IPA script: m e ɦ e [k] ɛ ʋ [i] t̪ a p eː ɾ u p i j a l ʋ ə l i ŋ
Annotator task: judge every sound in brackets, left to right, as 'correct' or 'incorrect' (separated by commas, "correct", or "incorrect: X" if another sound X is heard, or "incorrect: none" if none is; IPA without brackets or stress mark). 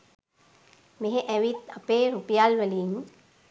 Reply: incorrect: ʔ, correct